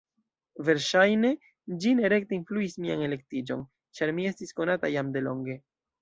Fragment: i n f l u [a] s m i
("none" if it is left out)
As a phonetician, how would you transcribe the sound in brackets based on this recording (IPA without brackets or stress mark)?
i